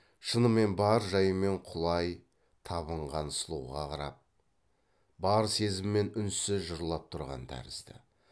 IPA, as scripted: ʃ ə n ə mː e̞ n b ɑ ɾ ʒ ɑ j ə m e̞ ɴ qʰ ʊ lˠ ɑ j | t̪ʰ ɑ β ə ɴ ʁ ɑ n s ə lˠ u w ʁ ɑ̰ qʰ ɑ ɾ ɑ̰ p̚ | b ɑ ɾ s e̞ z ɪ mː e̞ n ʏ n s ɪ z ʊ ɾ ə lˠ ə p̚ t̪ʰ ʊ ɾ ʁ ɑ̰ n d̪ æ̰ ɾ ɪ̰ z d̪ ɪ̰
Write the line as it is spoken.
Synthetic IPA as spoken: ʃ ə n ə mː e̞ n b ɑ ɾ ʒ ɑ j ə m e̞ ɴ qʰ ʊ lˠ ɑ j | t̪ʰ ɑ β ə ɴ ʁ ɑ n s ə lˠ u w ʁ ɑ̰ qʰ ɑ ɾ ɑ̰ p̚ | b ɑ ɾ s e̞ z ɪ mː e̞ n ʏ n s ɪ ʒ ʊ ɾ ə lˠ ɑ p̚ t̪ʰ ʊ ɾ ʁ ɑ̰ n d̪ æ̰ ɾ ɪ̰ z d̪ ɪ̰